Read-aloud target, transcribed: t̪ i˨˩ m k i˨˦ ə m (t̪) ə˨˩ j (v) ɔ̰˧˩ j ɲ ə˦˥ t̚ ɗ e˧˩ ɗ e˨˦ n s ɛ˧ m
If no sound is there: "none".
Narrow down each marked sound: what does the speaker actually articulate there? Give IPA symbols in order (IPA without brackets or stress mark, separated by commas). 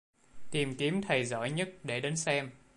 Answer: t̪ʰ, z